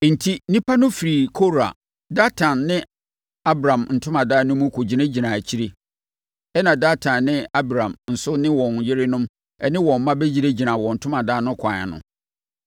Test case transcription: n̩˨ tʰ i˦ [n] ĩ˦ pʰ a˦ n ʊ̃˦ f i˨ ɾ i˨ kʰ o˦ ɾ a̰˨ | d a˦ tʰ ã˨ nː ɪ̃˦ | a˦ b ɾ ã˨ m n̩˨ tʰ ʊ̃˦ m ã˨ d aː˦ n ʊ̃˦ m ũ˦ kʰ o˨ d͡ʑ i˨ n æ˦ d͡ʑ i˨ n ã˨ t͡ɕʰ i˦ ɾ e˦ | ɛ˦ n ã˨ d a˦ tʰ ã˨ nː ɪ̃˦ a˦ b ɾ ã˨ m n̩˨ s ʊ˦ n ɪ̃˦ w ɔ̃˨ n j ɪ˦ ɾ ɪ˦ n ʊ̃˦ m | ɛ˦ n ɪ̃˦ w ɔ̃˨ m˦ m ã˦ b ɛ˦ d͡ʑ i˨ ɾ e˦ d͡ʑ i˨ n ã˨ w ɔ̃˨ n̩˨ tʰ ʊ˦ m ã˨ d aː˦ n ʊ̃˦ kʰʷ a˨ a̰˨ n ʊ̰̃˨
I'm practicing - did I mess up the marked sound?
no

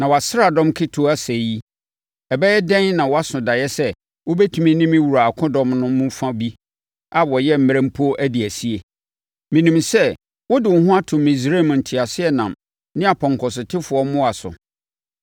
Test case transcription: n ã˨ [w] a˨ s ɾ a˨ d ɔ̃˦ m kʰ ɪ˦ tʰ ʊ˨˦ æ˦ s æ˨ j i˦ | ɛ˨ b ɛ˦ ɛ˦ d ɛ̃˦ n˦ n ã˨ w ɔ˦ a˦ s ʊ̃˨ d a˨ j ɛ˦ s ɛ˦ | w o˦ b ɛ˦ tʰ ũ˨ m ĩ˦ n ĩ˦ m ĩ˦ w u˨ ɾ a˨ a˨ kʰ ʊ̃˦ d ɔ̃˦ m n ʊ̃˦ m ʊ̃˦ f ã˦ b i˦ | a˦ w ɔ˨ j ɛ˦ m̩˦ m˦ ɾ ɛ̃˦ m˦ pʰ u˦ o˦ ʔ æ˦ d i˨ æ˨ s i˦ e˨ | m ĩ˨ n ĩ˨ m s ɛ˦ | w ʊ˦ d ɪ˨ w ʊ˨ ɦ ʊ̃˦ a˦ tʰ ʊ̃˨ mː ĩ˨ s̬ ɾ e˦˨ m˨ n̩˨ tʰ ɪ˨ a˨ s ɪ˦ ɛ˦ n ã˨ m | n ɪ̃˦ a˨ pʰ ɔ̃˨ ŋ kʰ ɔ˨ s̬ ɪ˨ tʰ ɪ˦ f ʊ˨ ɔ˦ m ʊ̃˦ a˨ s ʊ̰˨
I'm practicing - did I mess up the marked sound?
no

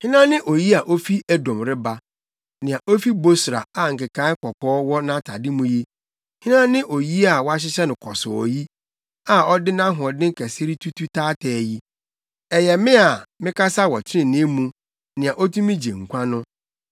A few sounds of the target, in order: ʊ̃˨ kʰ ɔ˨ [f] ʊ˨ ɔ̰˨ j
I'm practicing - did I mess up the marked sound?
yes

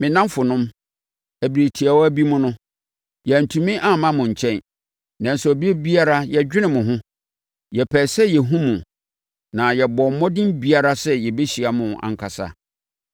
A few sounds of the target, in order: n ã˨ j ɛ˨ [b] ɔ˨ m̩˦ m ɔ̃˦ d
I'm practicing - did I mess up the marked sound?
no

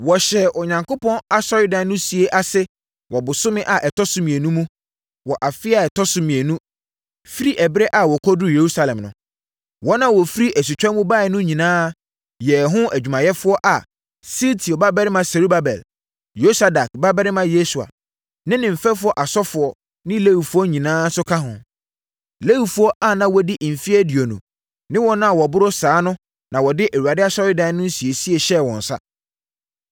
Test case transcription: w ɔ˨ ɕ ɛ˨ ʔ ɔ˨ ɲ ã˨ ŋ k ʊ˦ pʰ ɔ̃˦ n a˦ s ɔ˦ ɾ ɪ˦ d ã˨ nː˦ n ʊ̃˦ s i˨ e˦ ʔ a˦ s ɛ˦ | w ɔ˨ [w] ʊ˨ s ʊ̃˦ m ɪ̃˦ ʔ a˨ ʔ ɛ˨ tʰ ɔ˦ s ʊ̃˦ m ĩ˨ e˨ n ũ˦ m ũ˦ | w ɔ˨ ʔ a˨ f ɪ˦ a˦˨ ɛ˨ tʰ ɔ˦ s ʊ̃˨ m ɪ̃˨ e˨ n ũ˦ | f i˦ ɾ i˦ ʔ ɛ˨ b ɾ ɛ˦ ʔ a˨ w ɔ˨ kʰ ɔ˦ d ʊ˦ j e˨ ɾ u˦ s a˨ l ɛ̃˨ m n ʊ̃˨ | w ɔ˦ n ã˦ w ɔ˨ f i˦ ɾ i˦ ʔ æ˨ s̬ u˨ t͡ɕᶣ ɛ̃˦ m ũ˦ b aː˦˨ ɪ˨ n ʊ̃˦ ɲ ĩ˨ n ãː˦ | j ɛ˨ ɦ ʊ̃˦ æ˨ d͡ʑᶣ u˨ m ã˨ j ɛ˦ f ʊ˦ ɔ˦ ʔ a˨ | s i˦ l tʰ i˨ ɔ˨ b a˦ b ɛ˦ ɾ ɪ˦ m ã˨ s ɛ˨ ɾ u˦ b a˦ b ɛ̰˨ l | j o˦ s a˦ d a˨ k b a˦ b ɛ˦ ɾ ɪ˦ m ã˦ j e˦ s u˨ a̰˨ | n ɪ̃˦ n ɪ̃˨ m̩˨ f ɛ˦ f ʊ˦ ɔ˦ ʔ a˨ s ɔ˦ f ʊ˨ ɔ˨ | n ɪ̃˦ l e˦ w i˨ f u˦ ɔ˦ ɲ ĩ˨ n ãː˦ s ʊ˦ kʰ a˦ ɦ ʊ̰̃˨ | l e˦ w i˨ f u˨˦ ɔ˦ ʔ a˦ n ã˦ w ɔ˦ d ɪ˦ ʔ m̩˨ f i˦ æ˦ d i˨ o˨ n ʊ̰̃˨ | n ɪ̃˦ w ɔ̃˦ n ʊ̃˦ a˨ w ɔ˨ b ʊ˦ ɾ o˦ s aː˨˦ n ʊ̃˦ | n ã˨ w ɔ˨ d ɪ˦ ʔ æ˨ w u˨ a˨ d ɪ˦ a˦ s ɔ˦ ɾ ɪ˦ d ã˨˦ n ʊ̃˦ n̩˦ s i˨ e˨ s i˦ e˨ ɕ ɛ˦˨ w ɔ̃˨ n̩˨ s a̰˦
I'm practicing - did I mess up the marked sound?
yes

